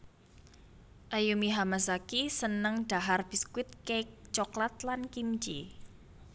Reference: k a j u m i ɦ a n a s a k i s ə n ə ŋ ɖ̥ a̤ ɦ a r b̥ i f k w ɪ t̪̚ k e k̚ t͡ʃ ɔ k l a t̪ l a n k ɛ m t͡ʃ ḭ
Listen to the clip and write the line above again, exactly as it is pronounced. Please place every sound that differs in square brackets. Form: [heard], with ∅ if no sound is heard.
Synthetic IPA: [ʔ] a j u m i ɦ a [m] a s a k i s ə n ə ŋ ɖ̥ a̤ ɦ a r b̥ i [s] k w ɪ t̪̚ k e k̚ t͡ʃ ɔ k l a t̪ l a n k [i] m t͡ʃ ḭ